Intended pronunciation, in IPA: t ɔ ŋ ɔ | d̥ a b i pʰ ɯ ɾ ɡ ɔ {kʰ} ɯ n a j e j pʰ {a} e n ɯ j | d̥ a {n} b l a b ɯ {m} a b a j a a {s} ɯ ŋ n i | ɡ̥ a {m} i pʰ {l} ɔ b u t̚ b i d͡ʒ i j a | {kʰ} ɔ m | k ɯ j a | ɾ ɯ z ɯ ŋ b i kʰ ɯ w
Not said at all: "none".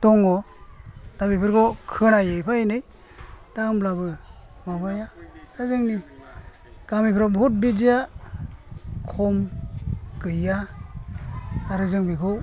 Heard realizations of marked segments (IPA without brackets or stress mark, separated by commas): kʰ, a, m, m, z, m, ɾ, kʰ